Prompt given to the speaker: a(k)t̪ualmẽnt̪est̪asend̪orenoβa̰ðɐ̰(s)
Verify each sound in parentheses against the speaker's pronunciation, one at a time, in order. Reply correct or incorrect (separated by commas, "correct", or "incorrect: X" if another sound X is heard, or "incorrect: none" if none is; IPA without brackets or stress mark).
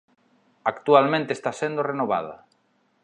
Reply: correct, incorrect: none